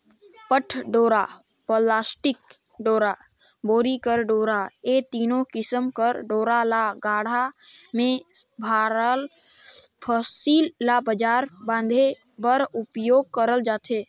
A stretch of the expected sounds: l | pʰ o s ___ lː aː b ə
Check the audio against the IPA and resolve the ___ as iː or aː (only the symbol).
iː